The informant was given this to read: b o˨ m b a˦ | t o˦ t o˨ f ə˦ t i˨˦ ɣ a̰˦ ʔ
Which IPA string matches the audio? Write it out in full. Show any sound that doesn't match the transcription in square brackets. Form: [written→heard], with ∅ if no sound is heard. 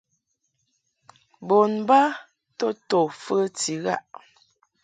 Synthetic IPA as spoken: b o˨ [m→n] b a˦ | t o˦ t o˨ f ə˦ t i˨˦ ɣ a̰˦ ʔ